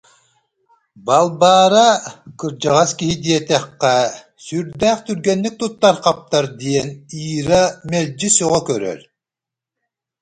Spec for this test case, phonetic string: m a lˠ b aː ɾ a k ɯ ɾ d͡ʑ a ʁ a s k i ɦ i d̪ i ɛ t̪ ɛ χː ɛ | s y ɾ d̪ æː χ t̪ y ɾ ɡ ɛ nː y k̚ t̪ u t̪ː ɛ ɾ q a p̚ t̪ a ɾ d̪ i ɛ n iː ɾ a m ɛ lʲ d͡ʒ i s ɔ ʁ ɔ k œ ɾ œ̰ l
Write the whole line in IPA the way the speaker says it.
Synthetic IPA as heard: b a lˠ b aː ɾ a k ɯ ɾ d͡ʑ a ʁ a s k i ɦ i d̪ i ɛ t̪ ɛ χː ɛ | s y ɾ d̪ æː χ t̪ y ɾ ɡ ɛ nː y k̚ t̪ u t̪ː a ɾ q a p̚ t̪ a ɾ d̪ i ɛ n iː ɾ a m ɛ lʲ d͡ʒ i s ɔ ʁ ɔ k œ ɾ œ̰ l